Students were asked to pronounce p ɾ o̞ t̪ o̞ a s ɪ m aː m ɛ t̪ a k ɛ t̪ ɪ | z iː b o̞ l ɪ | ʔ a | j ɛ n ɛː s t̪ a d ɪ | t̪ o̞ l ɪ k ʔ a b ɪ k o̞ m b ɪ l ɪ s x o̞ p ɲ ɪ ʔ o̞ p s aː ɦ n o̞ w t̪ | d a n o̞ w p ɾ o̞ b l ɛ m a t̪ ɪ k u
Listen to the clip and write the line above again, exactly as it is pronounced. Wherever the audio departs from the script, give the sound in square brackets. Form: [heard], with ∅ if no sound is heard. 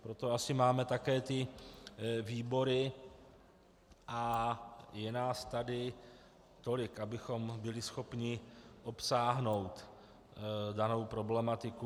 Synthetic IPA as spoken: p ɾ o̞ t̪ o̞ a s ɪ m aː m ɛ t̪ a k [ɛː] t̪ ɪ | [v] iː b o̞ [ɾ] ɪ | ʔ a | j ɛ n [aː] s t̪ a d ɪ | t̪ o̞ l ɪ k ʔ a b ɪ [x] o̞ m b ɪ l ɪ s x o̞ p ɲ ɪ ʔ o̞ p s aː ɦ n o̞ w t̪ | d a n o̞ w p ɾ o̞ b l ɛ m a t̪ ɪ k u

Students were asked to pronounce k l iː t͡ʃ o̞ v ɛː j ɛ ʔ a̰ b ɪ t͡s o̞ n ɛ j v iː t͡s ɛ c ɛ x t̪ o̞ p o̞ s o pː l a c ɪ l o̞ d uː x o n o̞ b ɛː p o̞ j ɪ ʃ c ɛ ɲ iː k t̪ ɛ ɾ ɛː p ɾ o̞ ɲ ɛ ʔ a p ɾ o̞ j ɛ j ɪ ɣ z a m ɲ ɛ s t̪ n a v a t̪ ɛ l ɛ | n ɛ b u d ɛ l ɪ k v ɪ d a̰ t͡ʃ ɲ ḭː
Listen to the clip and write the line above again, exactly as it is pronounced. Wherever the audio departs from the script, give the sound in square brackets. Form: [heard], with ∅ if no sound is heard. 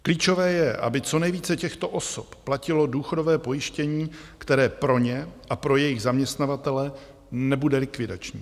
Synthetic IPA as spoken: k l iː t͡ʃ o̞ v ɛː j ɛ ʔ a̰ b ɪ t͡s o̞ n ɛ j v iː t͡s ɛ c ɛ x t̪ o̞ [ʔ] o̞ s o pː l a c ɪ l o̞ d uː x o [d] o̞ [v] ɛː p o̞ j ɪ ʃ c ɛ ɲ iː k t̪ ɛ ɾ ɛː p ɾ o̞ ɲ ɛ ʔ a p ɾ o̞ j ɛ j ɪ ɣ z a m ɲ ɛ s t̪ n a v a t̪ ɛ l ɛ | n ɛ b u d ɛ l ɪ k v ɪ d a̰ t͡ʃ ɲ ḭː

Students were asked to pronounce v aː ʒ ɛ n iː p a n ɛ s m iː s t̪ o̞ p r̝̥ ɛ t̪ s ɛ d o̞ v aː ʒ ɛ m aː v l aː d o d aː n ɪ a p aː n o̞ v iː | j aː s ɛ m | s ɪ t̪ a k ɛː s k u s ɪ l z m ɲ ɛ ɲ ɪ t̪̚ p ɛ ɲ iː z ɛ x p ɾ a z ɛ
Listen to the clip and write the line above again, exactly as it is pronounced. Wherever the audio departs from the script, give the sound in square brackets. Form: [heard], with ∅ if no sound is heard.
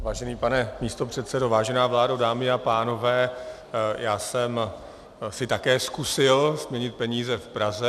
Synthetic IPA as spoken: v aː ʒ ɛ n iː p a n ɛ [∅] m iː s t̪ o̞ p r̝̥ ɛ t̪ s ɛ d o̞ v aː ʒ ɛ [n] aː v l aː d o d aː [m] ɪ a p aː n o̞ v [ɛː] | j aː s ɛ m | s ɪ t̪ a k ɛː s k u s ɪ l z m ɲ ɛ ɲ ɪ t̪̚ p ɛ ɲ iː z ɛ [f] p ɾ a z ɛ

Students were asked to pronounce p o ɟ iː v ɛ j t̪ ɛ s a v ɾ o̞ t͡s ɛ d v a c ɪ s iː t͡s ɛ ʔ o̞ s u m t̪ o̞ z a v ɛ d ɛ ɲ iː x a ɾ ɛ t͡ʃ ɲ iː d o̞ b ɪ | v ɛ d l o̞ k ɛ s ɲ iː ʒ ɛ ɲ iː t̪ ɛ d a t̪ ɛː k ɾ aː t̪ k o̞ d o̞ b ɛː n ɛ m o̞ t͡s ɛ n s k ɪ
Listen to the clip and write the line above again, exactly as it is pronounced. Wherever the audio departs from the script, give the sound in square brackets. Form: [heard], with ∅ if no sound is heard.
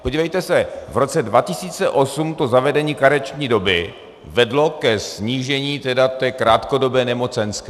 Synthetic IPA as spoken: p o ɟ iː v ɛ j t̪ ɛ s [ɛ] v ɾ o̞ t͡s ɛ d v a c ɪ s iː t͡s ɛ ʔ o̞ s u m t̪ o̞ z a v ɛ d ɛ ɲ iː [k] a ɾ ɛ t͡ʃ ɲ iː d o̞ b ɪ | v ɛ d l o̞ k ɛ s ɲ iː ʒ ɛ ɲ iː t̪ ɛ d a t̪ ɛː k ɾ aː t̪ k o̞ d o̞ b ɛː n ɛ m o̞ t͡s ɛ n s k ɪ

